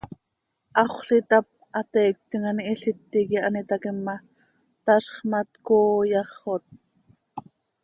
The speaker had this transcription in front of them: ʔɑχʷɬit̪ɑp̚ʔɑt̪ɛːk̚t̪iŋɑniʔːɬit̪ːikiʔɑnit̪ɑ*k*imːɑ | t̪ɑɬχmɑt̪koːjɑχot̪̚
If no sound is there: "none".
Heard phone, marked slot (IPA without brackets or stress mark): k